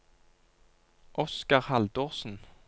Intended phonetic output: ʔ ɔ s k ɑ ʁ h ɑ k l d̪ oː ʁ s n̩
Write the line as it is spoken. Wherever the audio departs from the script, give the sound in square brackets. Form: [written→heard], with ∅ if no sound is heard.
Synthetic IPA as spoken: ʔ ɔ s k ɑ ʁ h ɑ [k→∅] l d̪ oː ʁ s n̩